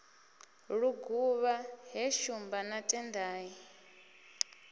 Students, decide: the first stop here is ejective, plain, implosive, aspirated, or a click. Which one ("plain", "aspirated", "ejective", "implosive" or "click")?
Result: plain